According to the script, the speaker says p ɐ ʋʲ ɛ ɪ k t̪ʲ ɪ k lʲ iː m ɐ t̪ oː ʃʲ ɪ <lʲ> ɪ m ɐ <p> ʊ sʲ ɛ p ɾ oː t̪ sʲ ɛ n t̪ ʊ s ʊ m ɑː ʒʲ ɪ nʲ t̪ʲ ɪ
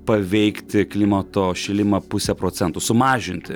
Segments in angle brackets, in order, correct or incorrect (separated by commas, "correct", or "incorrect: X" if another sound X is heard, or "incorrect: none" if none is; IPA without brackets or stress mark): correct, correct